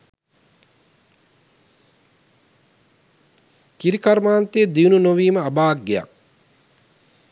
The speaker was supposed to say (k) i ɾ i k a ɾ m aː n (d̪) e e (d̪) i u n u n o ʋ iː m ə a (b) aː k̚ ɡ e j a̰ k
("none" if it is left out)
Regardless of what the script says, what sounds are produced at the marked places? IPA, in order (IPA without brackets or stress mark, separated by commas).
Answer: k, t̪, d̪, b